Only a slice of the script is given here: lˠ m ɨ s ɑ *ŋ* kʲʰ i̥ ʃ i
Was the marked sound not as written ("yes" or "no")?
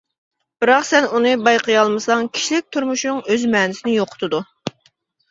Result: no